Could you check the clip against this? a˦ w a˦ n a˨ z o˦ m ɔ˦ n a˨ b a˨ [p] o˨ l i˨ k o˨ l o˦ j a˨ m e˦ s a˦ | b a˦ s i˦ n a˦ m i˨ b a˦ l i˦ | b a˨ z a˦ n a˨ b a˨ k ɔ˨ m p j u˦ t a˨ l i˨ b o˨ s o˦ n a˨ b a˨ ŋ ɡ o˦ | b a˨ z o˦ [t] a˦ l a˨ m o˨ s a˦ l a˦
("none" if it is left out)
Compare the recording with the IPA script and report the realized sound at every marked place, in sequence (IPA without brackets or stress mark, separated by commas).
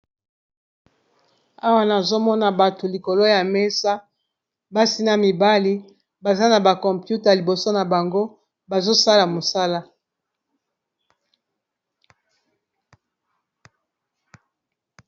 t, s